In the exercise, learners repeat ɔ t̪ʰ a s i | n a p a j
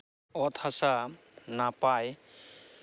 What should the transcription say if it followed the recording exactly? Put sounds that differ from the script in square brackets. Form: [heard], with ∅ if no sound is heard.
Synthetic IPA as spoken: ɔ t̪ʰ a s [a] | n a p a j